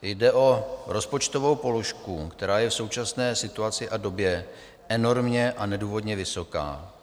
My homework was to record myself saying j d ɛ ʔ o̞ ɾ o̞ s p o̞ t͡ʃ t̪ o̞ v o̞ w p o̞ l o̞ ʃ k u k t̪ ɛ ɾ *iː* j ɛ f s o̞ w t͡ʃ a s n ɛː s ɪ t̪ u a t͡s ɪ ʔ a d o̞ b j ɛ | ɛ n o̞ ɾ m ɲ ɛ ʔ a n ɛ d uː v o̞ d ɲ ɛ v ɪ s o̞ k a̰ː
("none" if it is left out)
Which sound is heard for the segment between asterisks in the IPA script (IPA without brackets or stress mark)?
aː